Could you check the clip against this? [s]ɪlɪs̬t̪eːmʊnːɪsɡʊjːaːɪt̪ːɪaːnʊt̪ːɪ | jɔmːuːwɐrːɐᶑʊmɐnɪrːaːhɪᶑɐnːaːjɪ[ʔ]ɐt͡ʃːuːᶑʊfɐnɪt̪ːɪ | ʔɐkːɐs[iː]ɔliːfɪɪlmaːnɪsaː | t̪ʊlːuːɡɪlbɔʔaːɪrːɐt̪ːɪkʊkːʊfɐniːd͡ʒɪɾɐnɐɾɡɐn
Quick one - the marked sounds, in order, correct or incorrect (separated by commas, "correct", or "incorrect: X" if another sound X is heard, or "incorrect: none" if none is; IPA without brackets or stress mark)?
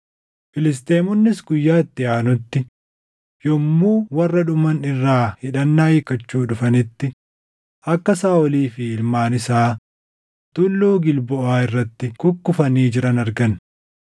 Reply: incorrect: f, incorrect: k, incorrect: aː